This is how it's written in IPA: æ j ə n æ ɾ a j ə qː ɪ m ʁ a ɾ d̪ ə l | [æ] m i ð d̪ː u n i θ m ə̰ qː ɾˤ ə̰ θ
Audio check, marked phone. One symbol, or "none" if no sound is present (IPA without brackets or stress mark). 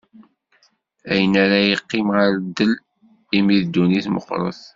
i